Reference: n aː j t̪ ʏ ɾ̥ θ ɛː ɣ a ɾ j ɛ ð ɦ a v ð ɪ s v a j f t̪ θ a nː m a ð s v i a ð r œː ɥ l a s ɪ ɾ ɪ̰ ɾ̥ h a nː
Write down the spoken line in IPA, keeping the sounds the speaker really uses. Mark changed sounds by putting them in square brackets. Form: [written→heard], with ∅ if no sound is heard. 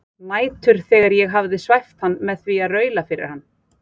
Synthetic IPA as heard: n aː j t̪ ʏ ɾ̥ θ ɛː ɣ a ɾ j ɛ [ð→ɣ] ɦ a v ð ɪ s v a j f t̪ [θ→h] a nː m [a→ɛ] ð [s→θ] v i a ð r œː ɥ l a [s→f] ɪ ɾ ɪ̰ ɾ̥ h a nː